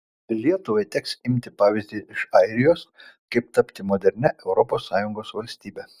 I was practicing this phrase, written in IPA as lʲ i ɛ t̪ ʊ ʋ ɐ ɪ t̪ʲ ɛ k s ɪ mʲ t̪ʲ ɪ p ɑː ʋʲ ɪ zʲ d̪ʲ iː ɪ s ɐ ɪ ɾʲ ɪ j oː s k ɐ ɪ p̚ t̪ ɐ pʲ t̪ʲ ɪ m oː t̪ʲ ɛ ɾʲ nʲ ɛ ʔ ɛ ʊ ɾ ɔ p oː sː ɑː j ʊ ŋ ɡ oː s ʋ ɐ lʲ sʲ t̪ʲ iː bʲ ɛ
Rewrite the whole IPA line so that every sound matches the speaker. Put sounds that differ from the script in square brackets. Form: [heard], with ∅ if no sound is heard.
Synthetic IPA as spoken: lʲ i ɛ t̪ ʊ ʋ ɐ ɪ t̪ʲ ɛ k s ɪ mʲ t̪ʲ ɪ p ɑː ʋʲ ɪ zʲ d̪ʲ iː ɪ [ʃ] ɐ ɪ ɾʲ ɪ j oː s k ɐ ɪ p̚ t̪ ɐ pʲ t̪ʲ ɪ m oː [d̪ʲ] ɛ ɾʲ nʲ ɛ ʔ ɛ ʊ ɾ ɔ p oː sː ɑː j ʊ ŋ ɡ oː s ʋ ɐ lʲ sʲ t̪ʲ iː bʲ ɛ